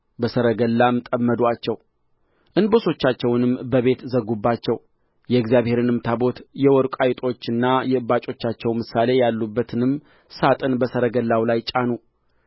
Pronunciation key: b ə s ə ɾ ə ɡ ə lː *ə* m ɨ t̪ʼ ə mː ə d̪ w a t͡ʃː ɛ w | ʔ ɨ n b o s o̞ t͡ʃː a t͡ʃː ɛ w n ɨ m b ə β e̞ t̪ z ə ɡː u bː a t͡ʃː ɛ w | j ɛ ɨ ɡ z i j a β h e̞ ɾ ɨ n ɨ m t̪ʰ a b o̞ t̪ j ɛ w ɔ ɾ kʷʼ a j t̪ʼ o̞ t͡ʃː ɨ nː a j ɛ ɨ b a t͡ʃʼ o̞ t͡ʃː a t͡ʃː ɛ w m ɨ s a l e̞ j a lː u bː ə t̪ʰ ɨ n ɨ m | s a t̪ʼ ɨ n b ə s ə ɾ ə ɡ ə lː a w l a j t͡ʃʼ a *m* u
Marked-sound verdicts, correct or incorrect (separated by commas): incorrect, incorrect